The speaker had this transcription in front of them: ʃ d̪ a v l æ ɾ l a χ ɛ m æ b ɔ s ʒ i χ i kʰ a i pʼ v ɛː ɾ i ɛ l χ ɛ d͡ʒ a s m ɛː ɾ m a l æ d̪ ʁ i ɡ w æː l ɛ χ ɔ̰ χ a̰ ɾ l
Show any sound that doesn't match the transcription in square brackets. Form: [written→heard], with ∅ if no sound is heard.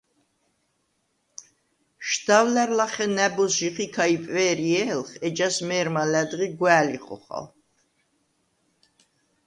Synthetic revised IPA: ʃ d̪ a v l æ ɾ l a χ ɛ [m→n] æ b ɔ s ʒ i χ i kʰ a i pʼ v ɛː ɾ i ɛ l χ ɛ d͡ʒ a s m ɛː ɾ m a l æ d̪ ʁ i ɡ w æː l [ɛ→i] χ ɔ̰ χ a̰ [ɾ→∅] l